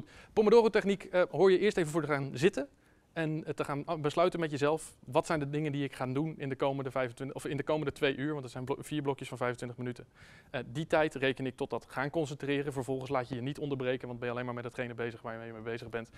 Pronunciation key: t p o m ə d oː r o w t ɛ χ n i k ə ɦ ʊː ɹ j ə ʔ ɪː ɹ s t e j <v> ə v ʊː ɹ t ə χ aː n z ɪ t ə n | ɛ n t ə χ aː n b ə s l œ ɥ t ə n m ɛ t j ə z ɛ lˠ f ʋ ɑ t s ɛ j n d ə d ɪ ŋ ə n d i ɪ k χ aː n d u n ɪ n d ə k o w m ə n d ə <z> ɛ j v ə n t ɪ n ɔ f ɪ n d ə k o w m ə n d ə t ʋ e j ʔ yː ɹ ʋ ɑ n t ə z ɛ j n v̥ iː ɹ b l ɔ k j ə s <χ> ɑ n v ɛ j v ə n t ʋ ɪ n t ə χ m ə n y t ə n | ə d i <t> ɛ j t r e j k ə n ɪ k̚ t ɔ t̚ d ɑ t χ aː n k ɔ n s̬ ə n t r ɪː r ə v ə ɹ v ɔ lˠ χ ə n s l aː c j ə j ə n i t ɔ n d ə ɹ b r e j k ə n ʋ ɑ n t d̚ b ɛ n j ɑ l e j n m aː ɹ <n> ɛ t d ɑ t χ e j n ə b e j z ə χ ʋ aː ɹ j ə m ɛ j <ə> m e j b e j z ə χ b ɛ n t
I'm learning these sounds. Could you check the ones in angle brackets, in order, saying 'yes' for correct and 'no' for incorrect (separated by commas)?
yes, no, no, yes, no, yes